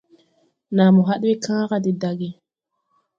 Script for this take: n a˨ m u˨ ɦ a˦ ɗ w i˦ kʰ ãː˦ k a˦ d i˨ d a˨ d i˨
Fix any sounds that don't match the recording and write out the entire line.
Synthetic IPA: n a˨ m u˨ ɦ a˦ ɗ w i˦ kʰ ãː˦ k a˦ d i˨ d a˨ ɡ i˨